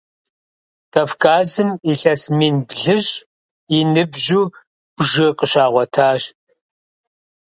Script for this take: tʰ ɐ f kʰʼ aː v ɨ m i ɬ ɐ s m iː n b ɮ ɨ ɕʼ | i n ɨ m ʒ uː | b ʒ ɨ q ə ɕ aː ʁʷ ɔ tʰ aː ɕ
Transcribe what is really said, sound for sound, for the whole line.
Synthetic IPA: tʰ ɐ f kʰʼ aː z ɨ m i ɬ ɐ s m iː n b ɮ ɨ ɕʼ | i n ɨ b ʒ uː | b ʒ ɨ q ə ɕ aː ʁʷ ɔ tʰ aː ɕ